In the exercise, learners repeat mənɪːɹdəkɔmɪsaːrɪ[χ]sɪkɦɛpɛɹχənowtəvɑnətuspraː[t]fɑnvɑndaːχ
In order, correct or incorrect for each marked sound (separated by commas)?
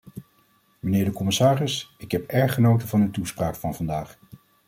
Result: incorrect, incorrect